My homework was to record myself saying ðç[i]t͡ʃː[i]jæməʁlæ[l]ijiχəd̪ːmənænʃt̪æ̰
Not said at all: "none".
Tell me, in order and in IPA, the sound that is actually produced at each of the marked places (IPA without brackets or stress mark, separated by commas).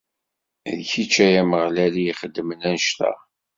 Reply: i, æ, l